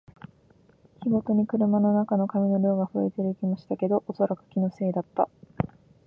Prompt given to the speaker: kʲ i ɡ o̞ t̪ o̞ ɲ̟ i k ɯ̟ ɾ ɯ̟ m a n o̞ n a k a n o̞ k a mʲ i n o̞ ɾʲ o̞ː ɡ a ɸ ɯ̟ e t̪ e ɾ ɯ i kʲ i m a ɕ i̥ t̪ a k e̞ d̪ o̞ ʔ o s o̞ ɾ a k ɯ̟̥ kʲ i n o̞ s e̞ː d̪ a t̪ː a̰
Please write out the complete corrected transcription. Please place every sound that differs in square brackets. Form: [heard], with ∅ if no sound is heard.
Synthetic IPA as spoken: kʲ i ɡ o̞ t̪ o̞ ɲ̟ i k ɯ̟ ɾ ɯ̟ m a n o̞ n a k a n o̞ k a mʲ i n o̞ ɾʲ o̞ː ɡ a ɸ ɯ̟ e t̪ e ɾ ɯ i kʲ i m a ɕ i̥ t̪ a k e̞ d̪ o̞ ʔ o s o̞ ɾ a k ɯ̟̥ kʲ i n o̞ s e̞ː d̪ a t̪ː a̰